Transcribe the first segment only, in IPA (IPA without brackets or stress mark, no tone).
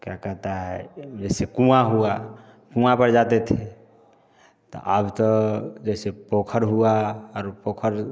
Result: k